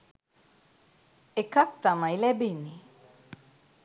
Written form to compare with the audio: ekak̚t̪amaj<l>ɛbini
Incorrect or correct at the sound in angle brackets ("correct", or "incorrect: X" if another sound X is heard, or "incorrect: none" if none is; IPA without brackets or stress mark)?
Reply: correct